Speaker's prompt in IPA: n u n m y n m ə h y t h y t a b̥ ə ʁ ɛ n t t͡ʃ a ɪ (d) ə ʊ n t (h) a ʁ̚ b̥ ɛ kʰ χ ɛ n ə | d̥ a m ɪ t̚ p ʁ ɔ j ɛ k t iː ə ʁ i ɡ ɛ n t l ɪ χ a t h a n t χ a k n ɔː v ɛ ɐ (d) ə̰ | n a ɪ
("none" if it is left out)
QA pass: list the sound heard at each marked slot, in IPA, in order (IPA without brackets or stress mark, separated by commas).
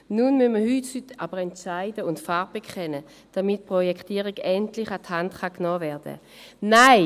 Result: d, f, d